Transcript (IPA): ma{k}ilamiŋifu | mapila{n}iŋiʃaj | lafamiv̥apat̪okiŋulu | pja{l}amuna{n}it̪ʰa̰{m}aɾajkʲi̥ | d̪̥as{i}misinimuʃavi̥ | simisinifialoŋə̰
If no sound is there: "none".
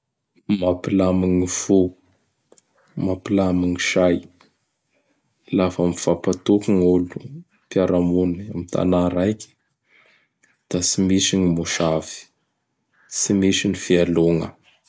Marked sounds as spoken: p, m, ɾ, m, n, i

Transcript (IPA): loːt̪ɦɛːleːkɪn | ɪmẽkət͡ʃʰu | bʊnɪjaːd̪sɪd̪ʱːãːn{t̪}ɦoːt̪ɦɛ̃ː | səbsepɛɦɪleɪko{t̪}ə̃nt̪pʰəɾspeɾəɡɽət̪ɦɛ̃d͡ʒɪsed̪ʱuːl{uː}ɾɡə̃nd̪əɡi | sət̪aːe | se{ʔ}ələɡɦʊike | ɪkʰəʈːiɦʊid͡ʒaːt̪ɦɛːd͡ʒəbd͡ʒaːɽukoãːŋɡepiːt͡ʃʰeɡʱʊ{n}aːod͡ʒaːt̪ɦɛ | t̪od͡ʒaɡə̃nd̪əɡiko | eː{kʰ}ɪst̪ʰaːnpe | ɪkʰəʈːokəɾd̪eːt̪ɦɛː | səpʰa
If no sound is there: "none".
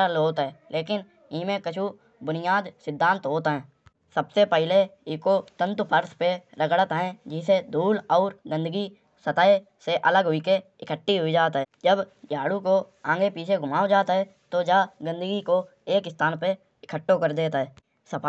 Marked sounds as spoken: t̪, t̪, ɔː, ʔ, m, k

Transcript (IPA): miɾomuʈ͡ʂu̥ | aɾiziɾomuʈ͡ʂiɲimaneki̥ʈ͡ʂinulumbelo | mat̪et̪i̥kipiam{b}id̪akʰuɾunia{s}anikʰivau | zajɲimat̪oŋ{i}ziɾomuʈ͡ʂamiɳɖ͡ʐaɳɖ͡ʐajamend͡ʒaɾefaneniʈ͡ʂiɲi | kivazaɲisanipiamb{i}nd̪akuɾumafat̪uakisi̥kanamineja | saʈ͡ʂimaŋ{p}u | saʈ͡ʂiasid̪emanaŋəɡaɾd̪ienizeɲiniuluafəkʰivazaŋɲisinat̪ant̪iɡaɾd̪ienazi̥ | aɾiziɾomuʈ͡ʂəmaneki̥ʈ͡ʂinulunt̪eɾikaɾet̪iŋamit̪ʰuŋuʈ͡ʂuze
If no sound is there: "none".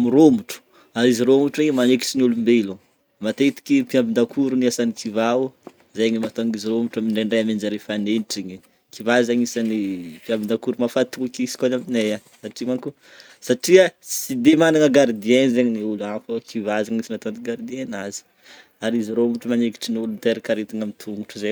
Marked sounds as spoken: b, s, i, i, k

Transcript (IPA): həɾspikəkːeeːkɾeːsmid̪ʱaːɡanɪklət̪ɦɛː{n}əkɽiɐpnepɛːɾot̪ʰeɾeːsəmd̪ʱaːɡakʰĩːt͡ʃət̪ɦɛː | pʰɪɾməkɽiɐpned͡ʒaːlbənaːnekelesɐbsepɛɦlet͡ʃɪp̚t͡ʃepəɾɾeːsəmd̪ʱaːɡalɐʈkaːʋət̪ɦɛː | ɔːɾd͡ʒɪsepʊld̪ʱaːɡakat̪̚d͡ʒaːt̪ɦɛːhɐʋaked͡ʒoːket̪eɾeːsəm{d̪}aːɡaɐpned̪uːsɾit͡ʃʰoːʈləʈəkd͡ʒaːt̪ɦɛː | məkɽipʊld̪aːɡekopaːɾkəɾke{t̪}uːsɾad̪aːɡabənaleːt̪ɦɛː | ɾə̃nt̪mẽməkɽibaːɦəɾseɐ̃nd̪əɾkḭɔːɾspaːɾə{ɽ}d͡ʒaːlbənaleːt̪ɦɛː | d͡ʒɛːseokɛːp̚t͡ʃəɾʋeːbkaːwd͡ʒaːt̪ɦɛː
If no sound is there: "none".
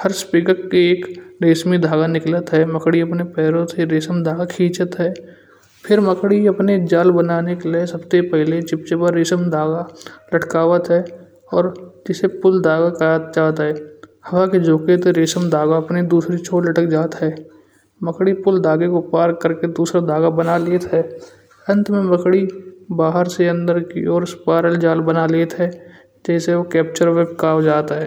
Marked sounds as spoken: m, d̪, d̪, l

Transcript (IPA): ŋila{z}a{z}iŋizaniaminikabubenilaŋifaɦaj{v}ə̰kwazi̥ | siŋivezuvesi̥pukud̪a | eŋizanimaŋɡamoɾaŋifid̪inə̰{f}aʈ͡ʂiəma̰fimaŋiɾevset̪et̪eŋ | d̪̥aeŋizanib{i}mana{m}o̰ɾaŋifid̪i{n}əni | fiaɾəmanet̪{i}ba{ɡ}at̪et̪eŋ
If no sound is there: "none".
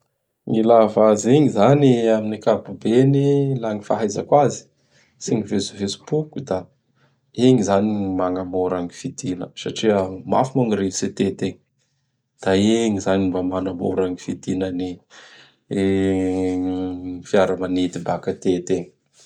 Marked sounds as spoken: v, z, z, s, a, m, n, i, k

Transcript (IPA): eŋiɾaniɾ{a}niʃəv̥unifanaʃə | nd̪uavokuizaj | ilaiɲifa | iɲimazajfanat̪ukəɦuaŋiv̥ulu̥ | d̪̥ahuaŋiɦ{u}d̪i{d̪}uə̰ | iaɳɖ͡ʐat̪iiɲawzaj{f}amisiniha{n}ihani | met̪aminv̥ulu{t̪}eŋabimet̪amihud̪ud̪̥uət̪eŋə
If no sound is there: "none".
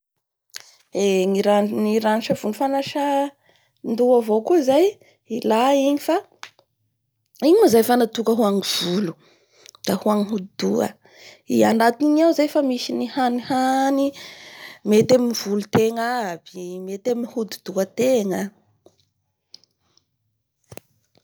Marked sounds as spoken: a, u, d̪, f, n, t̪

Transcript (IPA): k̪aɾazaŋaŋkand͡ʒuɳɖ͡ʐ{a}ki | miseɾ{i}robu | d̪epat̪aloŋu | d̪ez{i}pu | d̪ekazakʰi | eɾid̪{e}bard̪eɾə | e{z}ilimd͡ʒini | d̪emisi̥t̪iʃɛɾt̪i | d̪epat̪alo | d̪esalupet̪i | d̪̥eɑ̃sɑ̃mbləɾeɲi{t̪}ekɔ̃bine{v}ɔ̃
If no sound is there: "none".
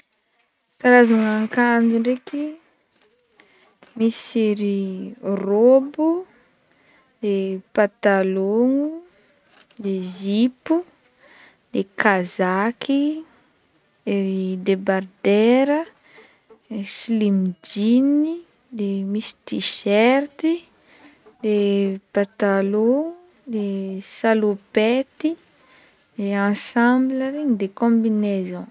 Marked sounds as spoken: e, i, i, e, s, d̪, z

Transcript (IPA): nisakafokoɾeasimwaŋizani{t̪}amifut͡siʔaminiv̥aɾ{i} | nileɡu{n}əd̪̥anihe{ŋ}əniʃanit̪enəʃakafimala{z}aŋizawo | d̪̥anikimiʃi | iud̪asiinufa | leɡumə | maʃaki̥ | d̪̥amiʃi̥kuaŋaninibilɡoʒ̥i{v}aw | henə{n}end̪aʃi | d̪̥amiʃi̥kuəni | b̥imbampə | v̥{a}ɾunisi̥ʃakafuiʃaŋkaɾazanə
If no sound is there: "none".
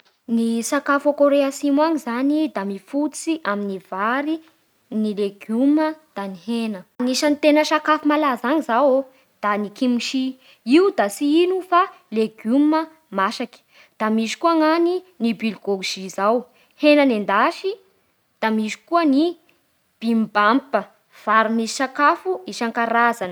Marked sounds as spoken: d̪, i, m, n, z, z, n, a

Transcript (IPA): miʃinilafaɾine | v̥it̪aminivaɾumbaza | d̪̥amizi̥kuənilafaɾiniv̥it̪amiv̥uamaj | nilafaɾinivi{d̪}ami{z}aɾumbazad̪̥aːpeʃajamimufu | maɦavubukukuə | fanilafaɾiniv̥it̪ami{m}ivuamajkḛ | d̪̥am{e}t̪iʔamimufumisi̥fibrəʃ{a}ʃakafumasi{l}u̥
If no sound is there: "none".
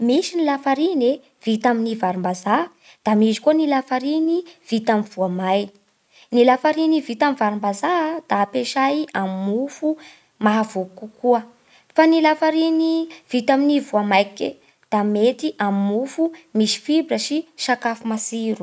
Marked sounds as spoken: t̪, v, n, e, i, ɾ

